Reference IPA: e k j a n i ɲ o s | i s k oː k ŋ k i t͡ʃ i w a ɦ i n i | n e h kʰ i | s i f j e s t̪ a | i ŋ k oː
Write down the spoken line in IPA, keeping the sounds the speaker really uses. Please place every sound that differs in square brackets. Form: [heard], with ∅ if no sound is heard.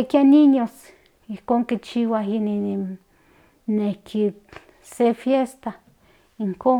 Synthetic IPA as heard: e k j a n i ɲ o s | i [h] k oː [∅] ŋ k i t͡ʃ i w a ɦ i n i | n e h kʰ i | s [e] f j e s t̪ a | i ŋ k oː